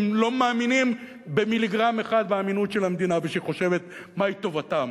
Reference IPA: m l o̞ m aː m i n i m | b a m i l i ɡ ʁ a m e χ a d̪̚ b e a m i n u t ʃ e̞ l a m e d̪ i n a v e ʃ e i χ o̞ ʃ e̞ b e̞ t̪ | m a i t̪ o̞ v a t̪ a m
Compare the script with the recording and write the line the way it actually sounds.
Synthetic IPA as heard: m l o̞ m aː m i n i m | b e m i l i ɡ ʁ a m e χ a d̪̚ b e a m i n u t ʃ e̞ l a m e d̪ i n a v e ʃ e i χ o̞ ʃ e̞ v e̞ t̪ | m a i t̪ o̞ v a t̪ a m

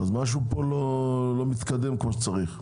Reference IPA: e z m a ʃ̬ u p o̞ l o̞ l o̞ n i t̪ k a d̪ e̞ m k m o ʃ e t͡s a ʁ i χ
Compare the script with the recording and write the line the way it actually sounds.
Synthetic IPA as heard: a z m a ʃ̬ u p o̞ l o̞ l o̞ m i t̪ k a d̪ e̞ m k m o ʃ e t͡s a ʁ i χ

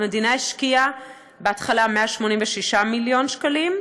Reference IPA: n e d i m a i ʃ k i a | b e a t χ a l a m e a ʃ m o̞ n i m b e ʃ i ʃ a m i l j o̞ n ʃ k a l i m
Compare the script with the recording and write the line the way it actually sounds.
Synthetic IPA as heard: m e d i n a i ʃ k i a | b e a t χ a l a m e a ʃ m o̞ n i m v e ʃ i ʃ a m i l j o̞ n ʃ k a l i m

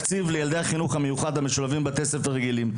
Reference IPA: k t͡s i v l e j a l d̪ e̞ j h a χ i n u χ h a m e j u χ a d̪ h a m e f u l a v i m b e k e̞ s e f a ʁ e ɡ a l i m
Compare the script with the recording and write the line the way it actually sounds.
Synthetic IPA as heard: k t͡s i v l e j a l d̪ e̞ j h a χ i n u χ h a m e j u χ a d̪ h a m e ʃ u l a v i m b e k e̞ s e f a ʁ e ɡ i l i m

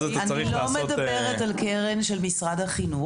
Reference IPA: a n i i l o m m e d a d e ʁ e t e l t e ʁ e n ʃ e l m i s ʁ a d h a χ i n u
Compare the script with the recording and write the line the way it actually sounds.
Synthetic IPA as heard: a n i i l o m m e d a b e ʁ e t a l k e ʁ e n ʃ e l m i s ʁ a d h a χ i n u

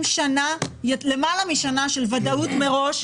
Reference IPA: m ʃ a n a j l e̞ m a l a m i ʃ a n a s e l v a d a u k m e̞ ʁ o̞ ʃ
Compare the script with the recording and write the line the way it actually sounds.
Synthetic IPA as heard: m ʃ a n a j l e̞ m a l a m i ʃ a n a ʃ e l v a d a u t m e̞ ʁ o̞ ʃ

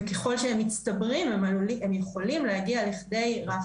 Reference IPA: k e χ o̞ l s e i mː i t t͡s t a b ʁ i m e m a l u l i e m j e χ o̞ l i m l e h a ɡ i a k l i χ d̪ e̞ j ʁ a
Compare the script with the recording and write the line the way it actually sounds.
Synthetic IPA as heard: k e χ o̞ l ʃ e e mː i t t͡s t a b ʁ i m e m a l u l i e m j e χ o̞ l i m l e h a ɡ i a l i χ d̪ e̞ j ʁ a

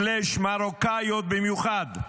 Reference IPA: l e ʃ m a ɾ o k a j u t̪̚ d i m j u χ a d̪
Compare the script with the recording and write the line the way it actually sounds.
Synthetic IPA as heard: l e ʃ m a ɾ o k a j o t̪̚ b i m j u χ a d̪

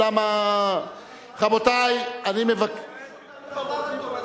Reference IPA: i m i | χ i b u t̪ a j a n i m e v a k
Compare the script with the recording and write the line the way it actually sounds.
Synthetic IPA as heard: a m a | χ a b o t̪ a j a n i m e v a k

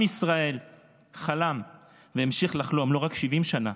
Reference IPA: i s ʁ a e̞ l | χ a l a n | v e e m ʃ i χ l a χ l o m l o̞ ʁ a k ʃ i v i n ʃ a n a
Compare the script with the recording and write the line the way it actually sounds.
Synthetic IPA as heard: i s ʁ a e̞ l | χ a l a m | v e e m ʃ i χ l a χ l o m l o̞ ʁ a k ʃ i v i m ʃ a n a

